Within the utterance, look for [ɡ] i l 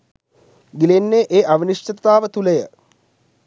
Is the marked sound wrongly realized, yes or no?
no